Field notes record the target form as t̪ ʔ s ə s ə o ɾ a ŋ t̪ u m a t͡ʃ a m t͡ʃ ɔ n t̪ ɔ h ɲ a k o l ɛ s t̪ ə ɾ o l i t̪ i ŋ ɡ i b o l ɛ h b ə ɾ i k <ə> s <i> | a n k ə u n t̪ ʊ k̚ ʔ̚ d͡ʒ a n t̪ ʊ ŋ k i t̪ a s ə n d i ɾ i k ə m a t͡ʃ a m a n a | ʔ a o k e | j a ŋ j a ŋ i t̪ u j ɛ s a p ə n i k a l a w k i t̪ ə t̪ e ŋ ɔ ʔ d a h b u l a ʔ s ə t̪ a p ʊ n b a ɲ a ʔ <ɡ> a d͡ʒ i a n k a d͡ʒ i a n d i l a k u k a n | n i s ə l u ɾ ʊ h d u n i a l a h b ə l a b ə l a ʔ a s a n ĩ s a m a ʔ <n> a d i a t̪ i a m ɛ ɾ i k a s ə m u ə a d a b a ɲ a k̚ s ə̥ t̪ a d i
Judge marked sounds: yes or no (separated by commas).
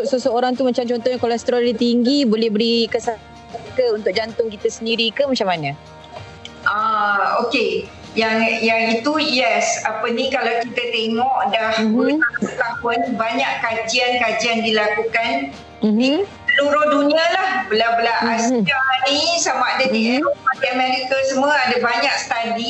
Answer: yes, no, no, no